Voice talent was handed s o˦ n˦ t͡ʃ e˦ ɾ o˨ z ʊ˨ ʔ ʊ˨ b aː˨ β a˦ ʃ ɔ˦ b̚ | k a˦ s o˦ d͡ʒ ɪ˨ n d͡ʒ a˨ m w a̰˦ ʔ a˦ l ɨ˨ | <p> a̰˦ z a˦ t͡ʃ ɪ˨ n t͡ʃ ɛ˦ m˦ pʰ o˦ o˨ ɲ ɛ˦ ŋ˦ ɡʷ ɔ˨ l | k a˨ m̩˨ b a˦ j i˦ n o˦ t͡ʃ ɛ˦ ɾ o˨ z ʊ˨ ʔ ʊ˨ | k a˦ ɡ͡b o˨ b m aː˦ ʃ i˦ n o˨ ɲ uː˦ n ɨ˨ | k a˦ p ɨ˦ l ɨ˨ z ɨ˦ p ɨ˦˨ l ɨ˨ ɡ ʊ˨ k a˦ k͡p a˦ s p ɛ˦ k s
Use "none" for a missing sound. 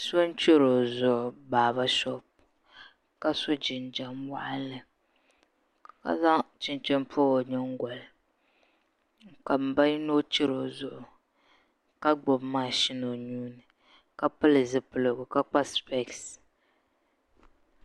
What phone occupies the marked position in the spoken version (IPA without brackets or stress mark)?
k